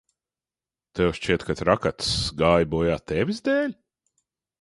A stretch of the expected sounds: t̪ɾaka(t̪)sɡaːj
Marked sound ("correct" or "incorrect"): correct